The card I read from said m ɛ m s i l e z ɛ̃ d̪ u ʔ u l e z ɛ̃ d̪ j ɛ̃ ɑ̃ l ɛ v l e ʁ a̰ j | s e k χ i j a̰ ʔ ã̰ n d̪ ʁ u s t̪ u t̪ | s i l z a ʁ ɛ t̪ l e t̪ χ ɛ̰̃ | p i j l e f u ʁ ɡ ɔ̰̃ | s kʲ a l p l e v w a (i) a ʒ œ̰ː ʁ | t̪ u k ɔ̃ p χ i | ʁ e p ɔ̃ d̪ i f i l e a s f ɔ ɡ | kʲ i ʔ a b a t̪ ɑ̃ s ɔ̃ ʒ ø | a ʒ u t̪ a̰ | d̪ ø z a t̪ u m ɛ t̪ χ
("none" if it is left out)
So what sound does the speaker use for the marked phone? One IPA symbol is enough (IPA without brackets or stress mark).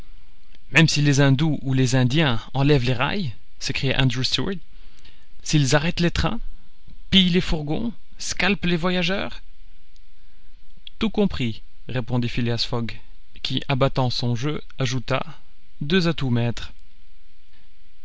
j